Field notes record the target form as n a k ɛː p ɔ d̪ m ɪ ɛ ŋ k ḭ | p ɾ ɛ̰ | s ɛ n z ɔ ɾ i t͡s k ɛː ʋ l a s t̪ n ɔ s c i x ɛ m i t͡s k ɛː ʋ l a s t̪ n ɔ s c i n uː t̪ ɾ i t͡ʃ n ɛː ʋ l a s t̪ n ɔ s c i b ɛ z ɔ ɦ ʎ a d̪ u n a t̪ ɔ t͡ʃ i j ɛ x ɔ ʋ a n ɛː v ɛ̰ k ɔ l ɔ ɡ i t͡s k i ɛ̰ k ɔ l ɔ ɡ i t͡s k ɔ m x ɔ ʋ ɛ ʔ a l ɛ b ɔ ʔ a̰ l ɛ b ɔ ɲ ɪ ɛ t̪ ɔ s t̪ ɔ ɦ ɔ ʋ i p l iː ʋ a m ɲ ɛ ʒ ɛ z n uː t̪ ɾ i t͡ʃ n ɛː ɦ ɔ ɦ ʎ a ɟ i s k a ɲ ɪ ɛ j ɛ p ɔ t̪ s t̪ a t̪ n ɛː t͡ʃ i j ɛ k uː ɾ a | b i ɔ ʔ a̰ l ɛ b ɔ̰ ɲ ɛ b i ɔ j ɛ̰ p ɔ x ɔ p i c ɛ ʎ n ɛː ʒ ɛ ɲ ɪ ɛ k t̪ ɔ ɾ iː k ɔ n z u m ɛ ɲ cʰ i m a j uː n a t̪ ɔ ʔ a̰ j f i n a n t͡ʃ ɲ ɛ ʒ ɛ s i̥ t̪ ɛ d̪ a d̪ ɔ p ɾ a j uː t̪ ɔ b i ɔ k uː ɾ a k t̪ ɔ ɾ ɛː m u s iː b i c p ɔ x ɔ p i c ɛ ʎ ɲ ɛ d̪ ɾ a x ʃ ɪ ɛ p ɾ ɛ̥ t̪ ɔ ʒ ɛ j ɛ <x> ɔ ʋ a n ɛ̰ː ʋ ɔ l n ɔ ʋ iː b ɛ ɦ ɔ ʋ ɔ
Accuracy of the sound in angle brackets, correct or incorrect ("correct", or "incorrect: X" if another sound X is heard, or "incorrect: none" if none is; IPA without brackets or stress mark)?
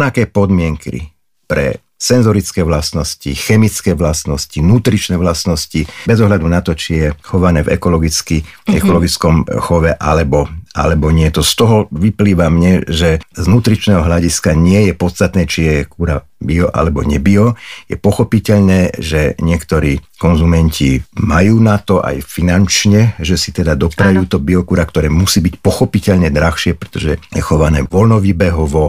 correct